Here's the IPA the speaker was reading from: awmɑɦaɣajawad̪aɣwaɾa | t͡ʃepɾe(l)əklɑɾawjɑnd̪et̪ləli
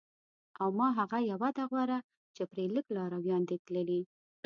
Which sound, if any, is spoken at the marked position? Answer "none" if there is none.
l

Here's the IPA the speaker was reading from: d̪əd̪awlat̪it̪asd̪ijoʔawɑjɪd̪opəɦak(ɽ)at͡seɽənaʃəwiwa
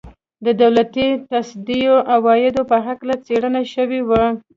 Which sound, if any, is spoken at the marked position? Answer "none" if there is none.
l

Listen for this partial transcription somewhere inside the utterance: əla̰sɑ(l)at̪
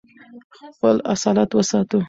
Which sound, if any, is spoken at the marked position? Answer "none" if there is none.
l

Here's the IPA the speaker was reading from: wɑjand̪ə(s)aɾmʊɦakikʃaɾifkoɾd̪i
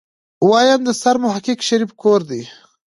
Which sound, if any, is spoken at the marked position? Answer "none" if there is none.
s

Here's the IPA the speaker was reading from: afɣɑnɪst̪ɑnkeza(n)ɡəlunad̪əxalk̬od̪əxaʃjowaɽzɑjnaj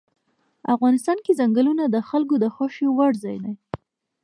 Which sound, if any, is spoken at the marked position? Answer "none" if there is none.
ŋ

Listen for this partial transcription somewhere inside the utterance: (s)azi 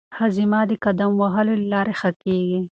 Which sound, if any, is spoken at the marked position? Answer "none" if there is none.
h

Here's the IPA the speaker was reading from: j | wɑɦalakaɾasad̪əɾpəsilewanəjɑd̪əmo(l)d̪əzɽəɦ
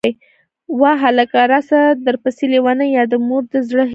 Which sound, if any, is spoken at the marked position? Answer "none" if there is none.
ɾ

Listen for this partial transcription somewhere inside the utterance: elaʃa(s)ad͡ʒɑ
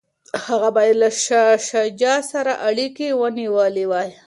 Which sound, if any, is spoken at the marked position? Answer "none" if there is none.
ʃ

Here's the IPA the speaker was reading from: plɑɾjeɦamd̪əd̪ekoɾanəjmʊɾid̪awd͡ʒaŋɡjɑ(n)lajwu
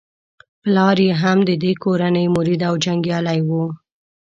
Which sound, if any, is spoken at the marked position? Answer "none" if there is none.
none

